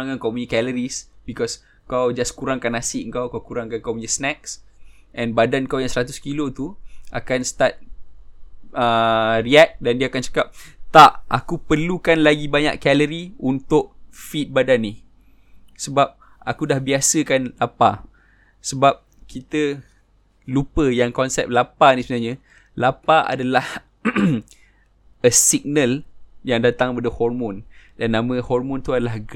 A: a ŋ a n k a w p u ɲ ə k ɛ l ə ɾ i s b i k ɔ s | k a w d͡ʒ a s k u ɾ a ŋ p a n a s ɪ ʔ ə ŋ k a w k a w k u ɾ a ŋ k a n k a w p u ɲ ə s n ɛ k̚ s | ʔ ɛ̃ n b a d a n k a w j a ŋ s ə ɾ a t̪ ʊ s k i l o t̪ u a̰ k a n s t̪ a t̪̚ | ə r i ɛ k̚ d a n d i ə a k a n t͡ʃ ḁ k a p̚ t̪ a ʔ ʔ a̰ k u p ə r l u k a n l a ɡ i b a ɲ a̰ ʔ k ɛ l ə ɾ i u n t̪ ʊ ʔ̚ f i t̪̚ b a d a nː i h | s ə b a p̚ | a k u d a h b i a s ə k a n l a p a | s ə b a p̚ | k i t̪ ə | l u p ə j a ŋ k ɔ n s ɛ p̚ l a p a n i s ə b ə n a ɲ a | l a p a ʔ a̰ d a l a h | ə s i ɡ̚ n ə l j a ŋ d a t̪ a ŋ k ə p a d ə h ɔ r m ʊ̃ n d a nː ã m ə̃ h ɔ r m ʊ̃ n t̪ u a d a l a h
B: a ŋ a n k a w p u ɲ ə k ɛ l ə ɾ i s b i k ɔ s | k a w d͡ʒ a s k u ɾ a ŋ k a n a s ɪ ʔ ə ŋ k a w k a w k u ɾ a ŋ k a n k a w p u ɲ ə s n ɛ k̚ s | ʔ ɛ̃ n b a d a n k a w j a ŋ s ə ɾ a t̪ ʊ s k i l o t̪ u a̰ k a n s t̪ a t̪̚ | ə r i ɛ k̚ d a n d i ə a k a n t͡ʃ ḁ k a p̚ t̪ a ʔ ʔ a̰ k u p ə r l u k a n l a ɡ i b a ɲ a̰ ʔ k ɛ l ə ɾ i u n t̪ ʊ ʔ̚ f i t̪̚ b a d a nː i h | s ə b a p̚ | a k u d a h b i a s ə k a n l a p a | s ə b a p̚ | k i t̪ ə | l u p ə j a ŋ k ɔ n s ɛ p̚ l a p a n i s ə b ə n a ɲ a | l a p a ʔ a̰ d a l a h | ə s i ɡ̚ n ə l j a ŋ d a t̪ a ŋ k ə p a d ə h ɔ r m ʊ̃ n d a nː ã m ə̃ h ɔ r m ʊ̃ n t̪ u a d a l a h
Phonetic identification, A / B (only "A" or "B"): B